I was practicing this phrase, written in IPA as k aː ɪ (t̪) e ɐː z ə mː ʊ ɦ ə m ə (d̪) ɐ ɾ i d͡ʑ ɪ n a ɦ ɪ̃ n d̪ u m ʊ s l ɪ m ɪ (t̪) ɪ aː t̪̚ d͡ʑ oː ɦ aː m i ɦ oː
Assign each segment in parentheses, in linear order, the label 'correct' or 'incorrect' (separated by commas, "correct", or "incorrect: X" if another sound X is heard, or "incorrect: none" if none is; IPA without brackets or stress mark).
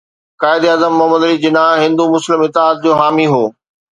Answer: incorrect: d̪, correct, correct